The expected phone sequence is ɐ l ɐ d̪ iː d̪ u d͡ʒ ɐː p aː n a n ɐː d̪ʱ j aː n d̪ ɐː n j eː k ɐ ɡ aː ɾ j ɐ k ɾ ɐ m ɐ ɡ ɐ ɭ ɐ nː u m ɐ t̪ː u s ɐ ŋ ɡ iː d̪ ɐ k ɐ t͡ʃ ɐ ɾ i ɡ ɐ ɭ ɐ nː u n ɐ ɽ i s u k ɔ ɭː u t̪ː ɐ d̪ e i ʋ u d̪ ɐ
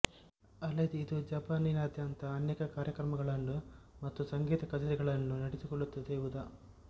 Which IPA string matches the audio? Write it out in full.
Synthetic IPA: ɐ l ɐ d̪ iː d̪ u d͡ʒ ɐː p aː n i n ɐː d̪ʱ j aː n t̪ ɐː n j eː k ɐ k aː ɾ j ɐ k ɾ ɐ m ɐ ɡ ɐ ɭ ɐ nː u m ɐ t̪ː u s ɐ ŋ ɡ iː t̪ ɐ k ɐ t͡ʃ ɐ ɾ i ɡ ɐ ɭ ɐ nː u n ɐ ɽ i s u k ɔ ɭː u t̪ː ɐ d̪ e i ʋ u d̪ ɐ